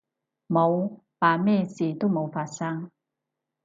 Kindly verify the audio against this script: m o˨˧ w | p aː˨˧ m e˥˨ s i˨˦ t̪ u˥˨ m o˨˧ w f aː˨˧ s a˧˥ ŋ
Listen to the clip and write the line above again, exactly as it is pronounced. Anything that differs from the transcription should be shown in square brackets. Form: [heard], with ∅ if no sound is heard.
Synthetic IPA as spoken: m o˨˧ w | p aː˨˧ m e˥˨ s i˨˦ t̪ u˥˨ m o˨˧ w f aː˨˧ s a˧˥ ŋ